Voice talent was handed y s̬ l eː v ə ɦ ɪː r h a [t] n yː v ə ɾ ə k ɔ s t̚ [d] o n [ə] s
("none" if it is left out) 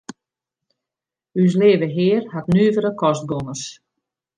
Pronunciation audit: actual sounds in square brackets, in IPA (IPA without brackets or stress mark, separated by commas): t, ɡ, ə